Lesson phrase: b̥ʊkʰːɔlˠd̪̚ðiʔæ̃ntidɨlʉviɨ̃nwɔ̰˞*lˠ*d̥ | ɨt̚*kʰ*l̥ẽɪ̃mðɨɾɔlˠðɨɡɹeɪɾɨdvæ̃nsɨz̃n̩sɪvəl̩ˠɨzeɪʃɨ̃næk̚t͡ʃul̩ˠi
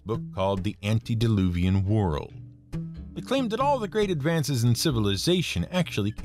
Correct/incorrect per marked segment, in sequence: correct, correct

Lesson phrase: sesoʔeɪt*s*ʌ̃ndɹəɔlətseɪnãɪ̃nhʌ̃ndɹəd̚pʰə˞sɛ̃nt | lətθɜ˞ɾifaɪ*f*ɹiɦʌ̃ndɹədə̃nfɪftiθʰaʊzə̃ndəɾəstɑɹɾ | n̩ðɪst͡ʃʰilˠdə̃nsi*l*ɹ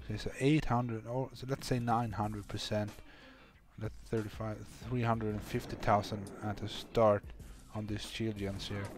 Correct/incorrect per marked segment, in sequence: incorrect, incorrect, incorrect

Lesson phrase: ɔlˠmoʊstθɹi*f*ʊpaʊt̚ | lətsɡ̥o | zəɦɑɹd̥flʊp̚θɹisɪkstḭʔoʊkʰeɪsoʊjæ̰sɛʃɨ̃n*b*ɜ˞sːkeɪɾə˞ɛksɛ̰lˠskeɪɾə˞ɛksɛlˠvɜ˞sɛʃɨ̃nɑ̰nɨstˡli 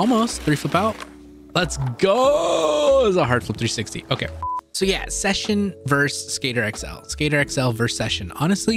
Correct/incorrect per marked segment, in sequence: correct, incorrect

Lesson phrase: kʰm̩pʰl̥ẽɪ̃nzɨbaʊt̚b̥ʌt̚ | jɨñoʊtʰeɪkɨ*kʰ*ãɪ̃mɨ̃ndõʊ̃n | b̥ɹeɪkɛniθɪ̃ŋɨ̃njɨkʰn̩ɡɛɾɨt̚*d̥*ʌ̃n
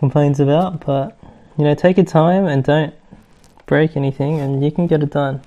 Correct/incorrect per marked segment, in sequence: incorrect, correct

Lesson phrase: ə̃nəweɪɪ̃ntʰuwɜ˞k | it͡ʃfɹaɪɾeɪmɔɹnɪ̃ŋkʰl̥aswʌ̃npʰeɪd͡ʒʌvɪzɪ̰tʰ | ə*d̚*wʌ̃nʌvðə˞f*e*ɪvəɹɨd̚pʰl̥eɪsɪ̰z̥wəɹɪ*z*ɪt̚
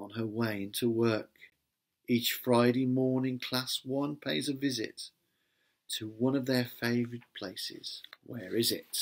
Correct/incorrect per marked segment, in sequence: incorrect, correct, correct

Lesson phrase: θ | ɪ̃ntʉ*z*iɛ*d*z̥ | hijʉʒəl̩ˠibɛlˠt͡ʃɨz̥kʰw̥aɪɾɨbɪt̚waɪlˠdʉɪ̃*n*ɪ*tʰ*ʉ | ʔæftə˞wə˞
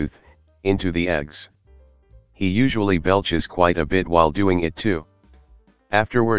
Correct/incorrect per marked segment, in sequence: incorrect, incorrect, incorrect, correct

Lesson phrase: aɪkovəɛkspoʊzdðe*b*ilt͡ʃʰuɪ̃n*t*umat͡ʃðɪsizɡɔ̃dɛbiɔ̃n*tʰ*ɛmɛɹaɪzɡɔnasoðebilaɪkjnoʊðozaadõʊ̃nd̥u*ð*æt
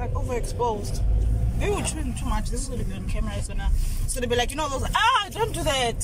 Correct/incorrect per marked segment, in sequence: incorrect, incorrect, incorrect, correct

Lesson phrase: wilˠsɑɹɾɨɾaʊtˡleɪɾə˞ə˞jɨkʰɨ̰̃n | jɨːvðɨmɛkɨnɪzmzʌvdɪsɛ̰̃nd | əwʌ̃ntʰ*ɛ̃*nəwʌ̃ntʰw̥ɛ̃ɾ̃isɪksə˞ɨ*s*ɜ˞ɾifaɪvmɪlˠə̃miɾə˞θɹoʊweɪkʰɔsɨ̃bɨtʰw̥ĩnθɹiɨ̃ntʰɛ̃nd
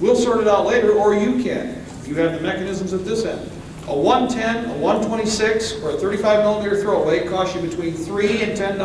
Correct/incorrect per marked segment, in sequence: correct, incorrect

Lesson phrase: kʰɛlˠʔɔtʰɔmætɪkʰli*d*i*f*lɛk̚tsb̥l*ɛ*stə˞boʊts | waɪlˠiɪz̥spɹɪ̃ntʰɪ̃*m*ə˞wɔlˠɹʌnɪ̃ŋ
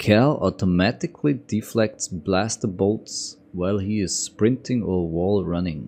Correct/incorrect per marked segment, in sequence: correct, correct, incorrect, incorrect

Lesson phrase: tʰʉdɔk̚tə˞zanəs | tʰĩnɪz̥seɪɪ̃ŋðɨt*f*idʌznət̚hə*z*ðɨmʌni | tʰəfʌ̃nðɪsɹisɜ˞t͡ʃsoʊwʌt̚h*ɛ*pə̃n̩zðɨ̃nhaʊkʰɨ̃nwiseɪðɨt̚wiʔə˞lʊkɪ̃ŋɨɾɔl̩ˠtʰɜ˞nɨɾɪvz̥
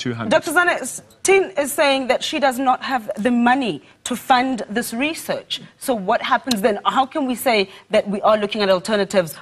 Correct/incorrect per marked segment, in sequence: incorrect, incorrect, incorrect

